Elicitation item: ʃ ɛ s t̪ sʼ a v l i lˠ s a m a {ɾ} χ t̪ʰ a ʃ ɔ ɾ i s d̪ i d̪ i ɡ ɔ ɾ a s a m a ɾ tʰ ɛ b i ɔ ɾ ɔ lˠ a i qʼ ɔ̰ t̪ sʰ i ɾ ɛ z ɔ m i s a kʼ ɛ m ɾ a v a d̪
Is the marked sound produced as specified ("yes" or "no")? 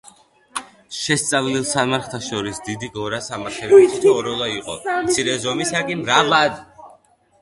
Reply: yes